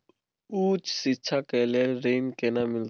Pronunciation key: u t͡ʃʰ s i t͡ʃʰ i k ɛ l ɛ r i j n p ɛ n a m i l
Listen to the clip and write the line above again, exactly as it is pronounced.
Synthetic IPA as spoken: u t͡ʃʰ s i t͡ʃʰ a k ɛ l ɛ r e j n k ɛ n a m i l